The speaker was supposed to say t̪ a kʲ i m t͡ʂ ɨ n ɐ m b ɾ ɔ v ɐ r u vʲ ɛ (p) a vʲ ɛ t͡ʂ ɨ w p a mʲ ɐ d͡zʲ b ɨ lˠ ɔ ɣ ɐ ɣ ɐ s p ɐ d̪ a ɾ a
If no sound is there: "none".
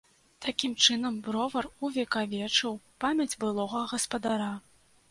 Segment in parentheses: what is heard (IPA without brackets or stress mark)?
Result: k